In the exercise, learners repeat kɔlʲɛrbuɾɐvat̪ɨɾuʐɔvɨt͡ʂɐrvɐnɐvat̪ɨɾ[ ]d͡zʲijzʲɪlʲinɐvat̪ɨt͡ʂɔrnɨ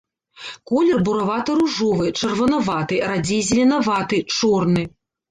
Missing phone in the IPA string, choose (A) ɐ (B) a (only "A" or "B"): B